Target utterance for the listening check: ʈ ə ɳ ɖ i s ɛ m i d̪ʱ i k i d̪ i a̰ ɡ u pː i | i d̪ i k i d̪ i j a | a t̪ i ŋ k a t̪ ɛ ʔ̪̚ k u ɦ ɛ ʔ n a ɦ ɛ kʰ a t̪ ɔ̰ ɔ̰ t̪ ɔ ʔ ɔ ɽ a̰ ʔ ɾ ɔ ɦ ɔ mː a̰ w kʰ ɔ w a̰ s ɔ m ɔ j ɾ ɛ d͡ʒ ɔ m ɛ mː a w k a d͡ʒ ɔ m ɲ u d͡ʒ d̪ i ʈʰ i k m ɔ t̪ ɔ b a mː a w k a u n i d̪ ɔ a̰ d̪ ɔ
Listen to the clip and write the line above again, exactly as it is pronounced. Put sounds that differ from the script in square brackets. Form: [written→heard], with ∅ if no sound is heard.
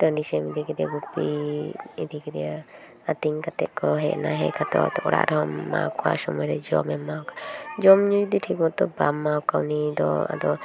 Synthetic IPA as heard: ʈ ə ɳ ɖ i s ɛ m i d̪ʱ i k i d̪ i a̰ ɡ u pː i | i d̪ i k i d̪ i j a | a t̪ i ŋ k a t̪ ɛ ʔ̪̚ k [u→ɔ] ɦ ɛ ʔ n a ɦ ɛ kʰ a t̪ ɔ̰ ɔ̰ t̪ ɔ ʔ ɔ ɽ a̰ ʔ ɾ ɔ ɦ ɔ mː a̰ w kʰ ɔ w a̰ s ɔ m ɔ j ɾ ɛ d͡ʒ ɔ m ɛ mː a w k a d͡ʒ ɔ m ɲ u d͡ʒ d̪ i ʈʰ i k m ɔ t̪ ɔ b a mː a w k a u n i d̪ ɔ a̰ d̪ ɔ